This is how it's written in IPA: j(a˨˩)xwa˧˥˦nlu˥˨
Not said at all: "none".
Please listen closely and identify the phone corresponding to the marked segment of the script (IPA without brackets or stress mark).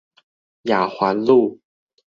a˨˩